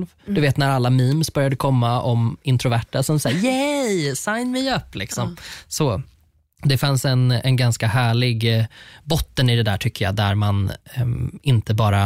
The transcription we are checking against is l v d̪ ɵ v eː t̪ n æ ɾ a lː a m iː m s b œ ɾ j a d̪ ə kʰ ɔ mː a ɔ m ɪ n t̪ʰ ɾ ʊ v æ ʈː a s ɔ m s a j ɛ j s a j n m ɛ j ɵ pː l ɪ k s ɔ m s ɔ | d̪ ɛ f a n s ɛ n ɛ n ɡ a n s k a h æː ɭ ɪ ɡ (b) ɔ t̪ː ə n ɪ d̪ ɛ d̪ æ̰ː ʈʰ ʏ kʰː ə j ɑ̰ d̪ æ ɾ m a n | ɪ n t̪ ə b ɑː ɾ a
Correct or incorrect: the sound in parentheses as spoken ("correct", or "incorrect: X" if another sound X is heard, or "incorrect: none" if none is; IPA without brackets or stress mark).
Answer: correct